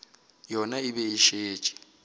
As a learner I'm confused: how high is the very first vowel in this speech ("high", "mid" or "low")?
mid